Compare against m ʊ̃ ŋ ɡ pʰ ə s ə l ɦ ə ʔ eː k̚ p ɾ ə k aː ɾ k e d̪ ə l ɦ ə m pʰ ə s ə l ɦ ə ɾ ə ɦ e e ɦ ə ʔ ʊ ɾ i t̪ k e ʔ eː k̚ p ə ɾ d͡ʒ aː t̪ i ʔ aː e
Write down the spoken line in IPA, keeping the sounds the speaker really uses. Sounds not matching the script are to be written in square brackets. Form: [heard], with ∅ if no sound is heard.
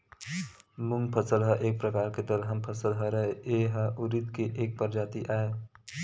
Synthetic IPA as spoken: m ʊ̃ ŋ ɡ pʰ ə s ə l ɦ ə ʔ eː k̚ p ɾ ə k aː ɾ k e d̪ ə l ɦ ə m pʰ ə s ə l ɦ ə ɾ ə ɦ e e ɦ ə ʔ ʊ ɾ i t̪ k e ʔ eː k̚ p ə ɾ d͡ʒ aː t̪ i ʔ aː e